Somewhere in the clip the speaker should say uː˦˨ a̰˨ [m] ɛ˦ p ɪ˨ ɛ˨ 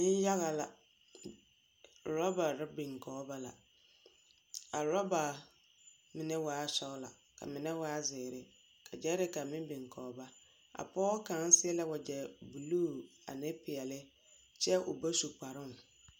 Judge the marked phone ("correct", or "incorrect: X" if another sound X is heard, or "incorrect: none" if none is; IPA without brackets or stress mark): incorrect: n